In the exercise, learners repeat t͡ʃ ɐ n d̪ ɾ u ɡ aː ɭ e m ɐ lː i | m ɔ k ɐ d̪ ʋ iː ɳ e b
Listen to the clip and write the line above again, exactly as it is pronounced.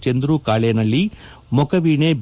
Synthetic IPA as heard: t͡ʃ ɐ n d̪ ɾ u k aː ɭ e n ɐ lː i | m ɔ k ɐ ʋ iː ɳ e b